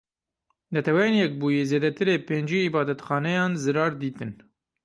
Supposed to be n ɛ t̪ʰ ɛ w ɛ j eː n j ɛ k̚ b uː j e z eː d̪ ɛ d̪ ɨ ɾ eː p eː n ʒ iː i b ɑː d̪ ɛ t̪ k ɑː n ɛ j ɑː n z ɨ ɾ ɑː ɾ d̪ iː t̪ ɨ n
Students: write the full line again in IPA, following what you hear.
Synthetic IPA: n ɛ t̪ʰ ɛ w ɛ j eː n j ɛ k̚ b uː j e z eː d̪ ɛ t̪ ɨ ɾ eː p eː n d͡ʒ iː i b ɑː d̪ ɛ t̪ x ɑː n ɛ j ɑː n z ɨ ɾ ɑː ɾ d̪ iː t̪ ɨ n